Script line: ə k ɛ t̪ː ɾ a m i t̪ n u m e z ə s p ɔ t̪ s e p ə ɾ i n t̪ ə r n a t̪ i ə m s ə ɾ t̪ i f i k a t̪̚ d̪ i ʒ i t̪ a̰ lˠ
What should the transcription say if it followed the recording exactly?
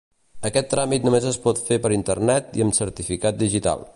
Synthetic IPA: ə k ɛ t̪ː ɾ a m i t̪ n u m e z ə s p ɔ t̪ f e p ə ɾ i n t̪ ə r n ɛ t̪ i ə m s ə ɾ t̪ i f i k a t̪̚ d̪ i ʒ i t̪ a̰ lˠ